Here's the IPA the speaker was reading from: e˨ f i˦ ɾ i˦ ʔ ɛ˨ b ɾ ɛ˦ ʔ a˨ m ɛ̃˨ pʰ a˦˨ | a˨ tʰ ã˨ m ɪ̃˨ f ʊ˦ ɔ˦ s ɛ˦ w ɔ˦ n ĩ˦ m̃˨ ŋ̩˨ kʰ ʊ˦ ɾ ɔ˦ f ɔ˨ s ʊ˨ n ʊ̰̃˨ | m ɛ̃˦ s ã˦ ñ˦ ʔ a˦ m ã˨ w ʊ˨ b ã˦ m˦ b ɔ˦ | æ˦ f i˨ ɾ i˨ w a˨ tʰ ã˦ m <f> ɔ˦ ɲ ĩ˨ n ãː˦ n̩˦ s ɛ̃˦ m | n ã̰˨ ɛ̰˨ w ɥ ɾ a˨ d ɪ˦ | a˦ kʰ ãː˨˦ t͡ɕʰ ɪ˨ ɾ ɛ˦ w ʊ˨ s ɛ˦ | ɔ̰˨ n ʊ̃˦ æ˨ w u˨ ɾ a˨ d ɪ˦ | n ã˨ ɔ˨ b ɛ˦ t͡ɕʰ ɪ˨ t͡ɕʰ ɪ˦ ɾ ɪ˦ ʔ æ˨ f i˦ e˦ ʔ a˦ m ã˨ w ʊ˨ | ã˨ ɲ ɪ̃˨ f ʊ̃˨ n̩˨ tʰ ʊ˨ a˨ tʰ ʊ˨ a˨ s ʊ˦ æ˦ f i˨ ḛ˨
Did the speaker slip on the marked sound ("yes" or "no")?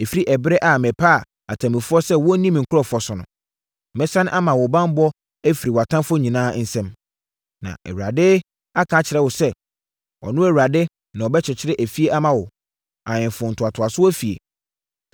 no